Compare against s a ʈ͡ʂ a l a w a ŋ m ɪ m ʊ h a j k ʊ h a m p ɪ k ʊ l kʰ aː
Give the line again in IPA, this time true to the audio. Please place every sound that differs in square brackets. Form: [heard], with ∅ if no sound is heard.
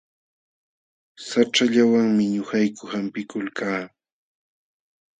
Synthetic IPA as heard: s a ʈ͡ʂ a [ʎ] a w a ŋ m ɪ [ɲ] ʊ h a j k ʊ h a m p ɪ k ʊ l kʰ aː